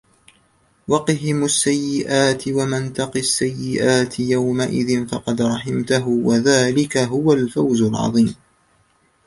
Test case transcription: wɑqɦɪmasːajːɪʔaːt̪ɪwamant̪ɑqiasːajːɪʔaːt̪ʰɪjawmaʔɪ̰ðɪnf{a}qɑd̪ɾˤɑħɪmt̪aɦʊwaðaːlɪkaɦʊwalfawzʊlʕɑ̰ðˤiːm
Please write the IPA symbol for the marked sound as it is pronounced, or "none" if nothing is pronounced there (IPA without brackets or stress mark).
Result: ɑ